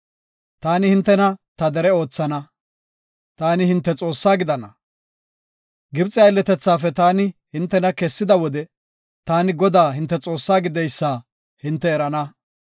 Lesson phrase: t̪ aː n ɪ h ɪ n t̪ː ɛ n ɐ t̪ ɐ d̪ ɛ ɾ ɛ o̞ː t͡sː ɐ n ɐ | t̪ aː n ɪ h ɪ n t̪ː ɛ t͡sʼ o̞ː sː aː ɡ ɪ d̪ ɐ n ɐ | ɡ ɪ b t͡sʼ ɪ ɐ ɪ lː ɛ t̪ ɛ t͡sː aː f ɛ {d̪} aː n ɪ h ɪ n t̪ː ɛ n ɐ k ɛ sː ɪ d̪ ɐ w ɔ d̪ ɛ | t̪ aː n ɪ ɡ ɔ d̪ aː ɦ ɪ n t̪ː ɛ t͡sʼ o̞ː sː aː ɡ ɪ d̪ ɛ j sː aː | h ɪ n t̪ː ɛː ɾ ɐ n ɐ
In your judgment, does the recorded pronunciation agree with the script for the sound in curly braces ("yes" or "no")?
no